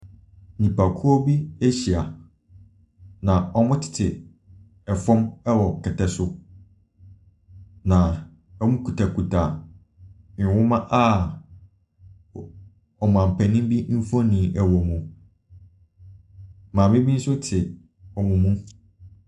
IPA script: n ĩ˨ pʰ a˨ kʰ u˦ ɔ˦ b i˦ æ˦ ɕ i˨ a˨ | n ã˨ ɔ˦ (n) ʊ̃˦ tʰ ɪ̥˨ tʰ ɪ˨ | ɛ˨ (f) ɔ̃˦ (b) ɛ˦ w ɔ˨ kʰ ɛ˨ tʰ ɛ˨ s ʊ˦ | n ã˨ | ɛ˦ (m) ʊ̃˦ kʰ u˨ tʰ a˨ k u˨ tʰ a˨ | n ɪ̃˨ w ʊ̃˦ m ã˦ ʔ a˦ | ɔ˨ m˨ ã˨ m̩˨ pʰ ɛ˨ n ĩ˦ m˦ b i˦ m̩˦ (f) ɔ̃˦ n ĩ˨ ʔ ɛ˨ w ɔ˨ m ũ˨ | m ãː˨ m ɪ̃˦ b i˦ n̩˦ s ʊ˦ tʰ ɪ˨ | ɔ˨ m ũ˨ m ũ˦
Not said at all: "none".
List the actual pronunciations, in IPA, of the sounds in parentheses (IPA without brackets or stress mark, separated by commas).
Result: m, f, m, m, f